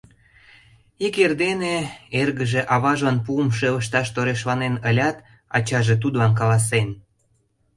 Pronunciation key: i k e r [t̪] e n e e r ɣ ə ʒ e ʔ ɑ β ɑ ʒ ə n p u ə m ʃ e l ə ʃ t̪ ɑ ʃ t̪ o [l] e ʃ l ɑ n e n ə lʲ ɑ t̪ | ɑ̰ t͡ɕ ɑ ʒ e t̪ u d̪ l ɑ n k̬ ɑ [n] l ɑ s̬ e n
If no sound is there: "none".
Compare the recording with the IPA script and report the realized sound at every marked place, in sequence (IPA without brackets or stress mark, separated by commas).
d̪, ɾ, none